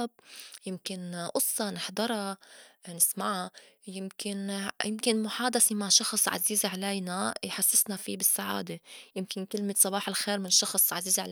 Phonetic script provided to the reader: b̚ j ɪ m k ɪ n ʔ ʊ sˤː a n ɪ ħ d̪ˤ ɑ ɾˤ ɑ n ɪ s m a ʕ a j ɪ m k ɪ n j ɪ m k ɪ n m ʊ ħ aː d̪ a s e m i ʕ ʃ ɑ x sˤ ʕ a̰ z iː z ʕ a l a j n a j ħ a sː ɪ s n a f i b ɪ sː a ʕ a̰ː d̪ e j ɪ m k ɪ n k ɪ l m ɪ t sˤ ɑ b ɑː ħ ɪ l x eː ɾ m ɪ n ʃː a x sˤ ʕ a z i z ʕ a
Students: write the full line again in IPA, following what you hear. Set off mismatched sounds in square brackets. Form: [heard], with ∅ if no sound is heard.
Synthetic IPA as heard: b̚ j ɪ m k ɪ n ʔ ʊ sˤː [ɑ] n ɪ ħ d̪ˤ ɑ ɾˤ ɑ n ɪ s m a ʕ a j ɪ m k ɪ n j ɪ m k ɪ n m ʊ ħ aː d̪ a s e m [a] ʕ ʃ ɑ x sˤ ʕ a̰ z iː z ʕ a l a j n a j ħ a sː ɪ s n a f i b ɪ sː a ʕ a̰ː d̪ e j ɪ m k ɪ n k ɪ l m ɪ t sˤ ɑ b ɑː ħ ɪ l x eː ɾ m ɪ n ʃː [ɑ] x sˤ ʕ a z [iː] z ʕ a